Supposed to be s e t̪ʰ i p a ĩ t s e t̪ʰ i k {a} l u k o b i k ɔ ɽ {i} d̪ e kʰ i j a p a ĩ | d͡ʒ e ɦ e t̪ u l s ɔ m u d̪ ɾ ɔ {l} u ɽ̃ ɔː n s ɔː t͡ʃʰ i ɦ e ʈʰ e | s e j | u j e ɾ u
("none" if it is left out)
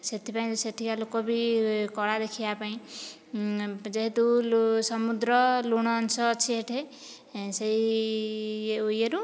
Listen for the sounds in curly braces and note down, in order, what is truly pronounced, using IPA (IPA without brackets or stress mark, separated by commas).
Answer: a, a, l